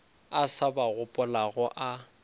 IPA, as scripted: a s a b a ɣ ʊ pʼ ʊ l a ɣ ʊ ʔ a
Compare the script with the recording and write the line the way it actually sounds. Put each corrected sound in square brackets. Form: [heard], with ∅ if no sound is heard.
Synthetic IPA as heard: a s a b a ɣ ʊ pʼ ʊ l a ɣ ʊ ʔ a